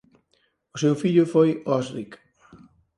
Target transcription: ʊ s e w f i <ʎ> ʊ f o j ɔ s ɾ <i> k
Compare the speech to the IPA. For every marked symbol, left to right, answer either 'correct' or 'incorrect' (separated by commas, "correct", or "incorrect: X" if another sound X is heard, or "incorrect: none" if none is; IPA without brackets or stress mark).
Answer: correct, correct